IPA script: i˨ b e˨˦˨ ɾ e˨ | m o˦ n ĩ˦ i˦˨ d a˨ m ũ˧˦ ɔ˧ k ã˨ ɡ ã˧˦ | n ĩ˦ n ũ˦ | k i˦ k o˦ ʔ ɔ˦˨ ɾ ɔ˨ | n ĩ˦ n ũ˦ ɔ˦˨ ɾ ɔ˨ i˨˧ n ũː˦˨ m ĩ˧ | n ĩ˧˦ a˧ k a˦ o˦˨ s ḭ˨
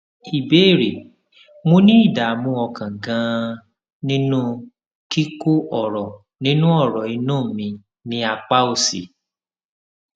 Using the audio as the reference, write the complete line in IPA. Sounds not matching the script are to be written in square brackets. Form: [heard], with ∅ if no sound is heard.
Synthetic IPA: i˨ b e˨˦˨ ɾ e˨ | m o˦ n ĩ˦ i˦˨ d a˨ m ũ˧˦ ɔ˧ k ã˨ ɡ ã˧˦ | n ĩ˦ n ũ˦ | k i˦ k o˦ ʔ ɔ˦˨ ɾ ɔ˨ | n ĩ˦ n ũ˦ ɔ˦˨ ɾ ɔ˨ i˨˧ n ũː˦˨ m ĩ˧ | n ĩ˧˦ a˧ [k͡p] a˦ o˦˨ s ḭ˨